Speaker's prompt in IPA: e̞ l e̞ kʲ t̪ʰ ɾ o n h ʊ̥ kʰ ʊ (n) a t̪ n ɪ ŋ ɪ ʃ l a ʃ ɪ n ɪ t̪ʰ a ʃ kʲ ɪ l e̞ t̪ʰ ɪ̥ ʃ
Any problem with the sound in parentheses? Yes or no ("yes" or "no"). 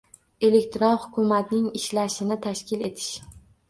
yes